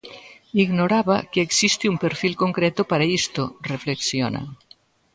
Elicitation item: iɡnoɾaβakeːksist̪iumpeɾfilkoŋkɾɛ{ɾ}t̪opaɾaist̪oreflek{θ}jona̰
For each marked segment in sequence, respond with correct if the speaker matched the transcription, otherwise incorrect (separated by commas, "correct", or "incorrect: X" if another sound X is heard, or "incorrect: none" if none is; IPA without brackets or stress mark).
incorrect: none, incorrect: s